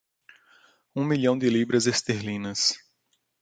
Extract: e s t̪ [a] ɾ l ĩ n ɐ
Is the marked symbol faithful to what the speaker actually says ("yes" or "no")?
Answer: no